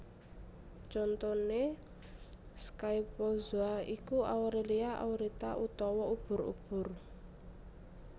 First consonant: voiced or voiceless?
voiceless